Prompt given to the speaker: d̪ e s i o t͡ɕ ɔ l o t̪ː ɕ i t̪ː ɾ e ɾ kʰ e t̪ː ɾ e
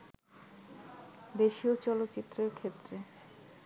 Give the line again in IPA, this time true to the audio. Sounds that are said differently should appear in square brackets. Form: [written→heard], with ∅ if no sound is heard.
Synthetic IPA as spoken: d̪ e [s→ʃ] i o t͡ɕ ɔ l o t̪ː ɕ i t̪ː ɾ e ɾ kʰ e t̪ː ɾ e